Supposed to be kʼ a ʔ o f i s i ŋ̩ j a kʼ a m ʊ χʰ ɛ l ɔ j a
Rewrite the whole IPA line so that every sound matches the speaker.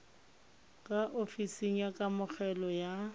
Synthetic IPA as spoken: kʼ a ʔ o f i s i ŋ̩ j a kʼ a m ʊ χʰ ɛ l ɔ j a